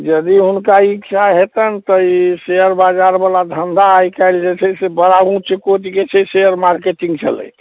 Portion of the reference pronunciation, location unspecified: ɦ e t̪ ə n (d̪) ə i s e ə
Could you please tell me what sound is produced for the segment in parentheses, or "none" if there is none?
t̪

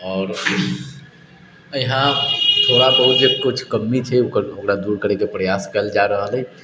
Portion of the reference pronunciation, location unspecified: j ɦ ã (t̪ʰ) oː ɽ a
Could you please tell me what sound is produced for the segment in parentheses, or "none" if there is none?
t̪ʰ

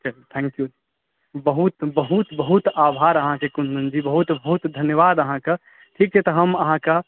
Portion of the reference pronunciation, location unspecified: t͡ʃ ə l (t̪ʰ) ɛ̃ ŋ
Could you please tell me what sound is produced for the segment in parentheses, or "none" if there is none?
t̪ʰ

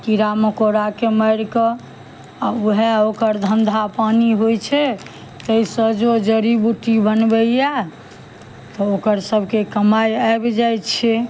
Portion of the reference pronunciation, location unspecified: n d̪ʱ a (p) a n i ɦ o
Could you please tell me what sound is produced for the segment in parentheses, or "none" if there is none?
p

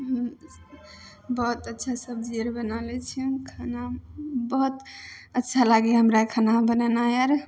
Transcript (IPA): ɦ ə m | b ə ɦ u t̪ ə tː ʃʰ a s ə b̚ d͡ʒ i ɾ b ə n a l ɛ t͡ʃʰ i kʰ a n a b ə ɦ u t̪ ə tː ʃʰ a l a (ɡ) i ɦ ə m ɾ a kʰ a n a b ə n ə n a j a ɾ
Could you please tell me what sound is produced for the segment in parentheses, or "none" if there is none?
ɡ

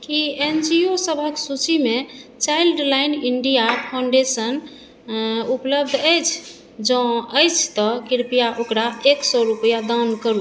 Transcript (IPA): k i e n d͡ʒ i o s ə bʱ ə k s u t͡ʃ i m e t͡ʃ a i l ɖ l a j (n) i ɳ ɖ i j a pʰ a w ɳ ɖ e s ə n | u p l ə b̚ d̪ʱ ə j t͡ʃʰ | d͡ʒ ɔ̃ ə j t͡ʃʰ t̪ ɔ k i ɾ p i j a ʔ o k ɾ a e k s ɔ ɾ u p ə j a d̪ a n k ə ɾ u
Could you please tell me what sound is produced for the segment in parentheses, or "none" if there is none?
n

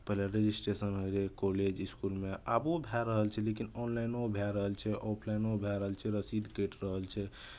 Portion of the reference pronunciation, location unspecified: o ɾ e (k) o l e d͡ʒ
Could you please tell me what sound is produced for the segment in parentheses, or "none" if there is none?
k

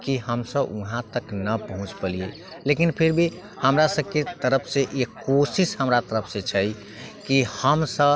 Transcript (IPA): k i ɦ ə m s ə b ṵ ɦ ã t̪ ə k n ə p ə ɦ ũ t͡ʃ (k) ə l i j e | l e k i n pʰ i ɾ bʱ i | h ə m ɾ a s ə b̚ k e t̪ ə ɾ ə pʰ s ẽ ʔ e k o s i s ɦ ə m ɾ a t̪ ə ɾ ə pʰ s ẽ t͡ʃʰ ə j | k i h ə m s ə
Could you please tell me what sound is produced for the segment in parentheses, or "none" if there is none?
p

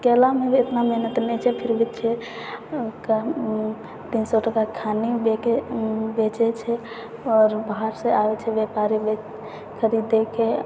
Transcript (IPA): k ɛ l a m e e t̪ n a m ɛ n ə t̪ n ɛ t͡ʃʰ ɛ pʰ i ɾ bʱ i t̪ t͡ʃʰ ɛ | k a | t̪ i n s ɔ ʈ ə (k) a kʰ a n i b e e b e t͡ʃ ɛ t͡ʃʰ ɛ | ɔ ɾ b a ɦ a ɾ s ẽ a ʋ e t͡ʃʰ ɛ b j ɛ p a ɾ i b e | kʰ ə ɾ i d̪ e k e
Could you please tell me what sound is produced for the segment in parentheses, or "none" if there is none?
k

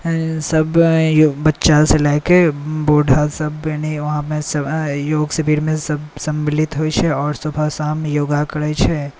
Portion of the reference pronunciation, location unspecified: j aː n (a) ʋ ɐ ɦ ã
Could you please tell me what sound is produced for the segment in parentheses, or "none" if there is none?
i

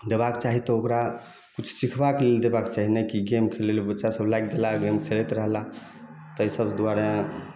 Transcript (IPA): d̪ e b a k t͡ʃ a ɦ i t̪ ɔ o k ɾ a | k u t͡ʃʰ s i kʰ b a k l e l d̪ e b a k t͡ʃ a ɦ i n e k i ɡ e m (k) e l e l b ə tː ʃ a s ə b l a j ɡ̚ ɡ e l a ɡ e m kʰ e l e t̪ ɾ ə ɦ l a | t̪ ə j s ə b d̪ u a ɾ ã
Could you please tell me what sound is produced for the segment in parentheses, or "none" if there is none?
kʰ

